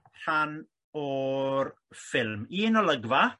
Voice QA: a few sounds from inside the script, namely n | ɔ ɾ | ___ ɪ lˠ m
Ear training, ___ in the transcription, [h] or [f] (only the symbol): f